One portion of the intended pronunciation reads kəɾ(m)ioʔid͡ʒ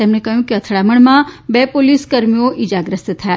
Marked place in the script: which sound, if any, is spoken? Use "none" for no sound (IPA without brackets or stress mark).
m